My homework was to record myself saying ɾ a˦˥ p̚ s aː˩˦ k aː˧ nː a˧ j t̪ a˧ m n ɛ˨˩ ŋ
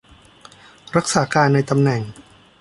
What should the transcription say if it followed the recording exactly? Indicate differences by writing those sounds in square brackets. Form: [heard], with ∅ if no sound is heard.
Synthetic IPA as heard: ɾ a˦˥ [k̚] s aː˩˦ k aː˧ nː a˧ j t̪ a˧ m n ɛ˨˩ ŋ